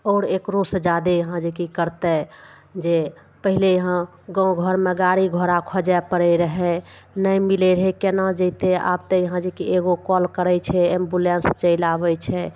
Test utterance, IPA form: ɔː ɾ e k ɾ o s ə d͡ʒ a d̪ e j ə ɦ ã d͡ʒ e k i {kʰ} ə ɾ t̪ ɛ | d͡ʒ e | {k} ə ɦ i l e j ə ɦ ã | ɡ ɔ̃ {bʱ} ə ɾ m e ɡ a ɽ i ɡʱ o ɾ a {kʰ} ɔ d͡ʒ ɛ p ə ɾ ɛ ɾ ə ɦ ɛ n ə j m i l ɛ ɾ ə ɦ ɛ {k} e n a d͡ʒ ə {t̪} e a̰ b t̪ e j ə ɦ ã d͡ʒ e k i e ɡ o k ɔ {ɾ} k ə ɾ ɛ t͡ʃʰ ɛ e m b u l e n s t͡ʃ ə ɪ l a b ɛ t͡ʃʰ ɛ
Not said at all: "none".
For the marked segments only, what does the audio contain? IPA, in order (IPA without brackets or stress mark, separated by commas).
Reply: k, p, ɡʱ, kʰ, k, t̪, l